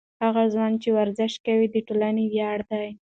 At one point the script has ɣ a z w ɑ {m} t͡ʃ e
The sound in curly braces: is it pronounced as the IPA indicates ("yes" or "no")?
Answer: no